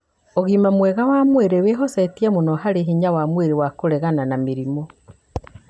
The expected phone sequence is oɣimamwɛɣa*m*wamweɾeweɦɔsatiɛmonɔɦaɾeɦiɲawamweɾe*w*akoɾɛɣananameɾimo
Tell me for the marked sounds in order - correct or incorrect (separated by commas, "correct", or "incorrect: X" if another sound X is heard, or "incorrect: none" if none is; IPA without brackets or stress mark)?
incorrect: none, correct